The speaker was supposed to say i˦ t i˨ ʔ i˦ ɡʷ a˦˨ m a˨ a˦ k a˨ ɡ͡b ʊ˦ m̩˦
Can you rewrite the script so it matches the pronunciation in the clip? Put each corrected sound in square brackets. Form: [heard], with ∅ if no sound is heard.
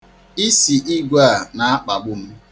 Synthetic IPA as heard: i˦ [s] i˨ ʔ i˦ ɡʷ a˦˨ [n] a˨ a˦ [k͡p] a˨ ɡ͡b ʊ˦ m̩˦